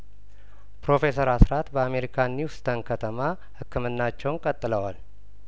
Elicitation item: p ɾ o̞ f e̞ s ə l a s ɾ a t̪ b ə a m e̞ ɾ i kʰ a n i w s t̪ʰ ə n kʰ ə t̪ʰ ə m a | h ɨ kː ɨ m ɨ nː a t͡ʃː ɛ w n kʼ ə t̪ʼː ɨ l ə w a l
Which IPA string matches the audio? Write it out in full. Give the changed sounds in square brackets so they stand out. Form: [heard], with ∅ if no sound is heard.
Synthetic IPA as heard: p ɾ o̞ f e̞ s ə [ɾ] a s ɾ a t̪ b ə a m e̞ ɾ i kʰ a n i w s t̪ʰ ə n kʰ ə t̪ʰ ə m a | h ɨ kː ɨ m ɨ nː a t͡ʃː ɛ w n kʼ ə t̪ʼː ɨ l ə w a l